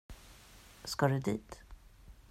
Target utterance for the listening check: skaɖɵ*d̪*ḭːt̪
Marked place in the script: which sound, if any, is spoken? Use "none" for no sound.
d̪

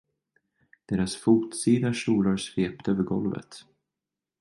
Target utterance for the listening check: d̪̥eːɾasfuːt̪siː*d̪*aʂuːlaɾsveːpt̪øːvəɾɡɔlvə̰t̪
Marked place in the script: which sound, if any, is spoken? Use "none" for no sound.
d̪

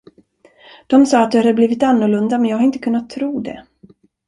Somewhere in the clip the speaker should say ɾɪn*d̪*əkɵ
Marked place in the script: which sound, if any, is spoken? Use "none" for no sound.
t̪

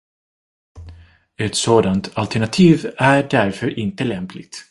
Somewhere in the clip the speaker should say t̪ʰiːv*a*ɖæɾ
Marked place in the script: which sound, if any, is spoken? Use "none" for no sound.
æ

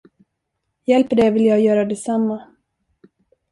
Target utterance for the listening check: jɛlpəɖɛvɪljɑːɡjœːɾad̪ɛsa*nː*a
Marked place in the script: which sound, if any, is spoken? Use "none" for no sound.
mː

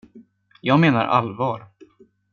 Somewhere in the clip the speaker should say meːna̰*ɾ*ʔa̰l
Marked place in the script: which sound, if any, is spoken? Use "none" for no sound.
ɾ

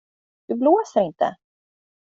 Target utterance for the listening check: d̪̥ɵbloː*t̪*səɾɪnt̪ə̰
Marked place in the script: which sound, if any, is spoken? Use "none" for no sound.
none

